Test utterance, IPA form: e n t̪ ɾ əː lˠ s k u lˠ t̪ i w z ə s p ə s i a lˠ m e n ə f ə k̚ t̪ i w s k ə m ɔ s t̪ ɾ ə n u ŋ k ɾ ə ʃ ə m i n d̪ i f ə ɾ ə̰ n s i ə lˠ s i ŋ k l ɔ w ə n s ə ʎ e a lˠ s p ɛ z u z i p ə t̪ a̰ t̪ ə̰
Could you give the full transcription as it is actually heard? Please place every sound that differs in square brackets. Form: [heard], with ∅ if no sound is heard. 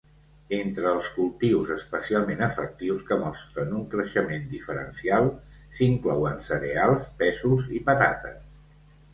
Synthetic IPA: e n t̪ ɾ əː lˠ s k u lˠ t̪ i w z ə s p ə s i a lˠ m e n ə f ə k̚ t̪ i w s k ə m ɔ s t̪ ɾ ə n u ŋ k ɾ ə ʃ ə m [e] n d̪ i f ə ɾ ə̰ n s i [a] lˠ s i ŋ k l ɔ w ə n s ə [ɾ] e a lˠ s p ɛ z u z i p ə t̪ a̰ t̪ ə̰